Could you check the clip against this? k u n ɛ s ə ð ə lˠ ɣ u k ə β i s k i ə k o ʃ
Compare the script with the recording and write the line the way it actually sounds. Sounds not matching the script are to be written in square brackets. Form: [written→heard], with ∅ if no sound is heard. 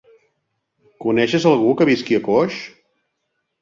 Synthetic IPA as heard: k u n ɛ [s→ʃ] ə [ð→z] ə lˠ ɣ u k ə β i s k i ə k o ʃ